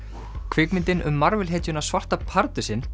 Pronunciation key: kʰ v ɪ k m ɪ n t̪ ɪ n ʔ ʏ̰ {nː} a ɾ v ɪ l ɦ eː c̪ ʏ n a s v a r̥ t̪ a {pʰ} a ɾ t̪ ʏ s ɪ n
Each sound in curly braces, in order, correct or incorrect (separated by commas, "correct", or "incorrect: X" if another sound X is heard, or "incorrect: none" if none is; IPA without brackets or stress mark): incorrect: mː, correct